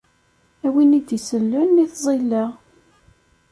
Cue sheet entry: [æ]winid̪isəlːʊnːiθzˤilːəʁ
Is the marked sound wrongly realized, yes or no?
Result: no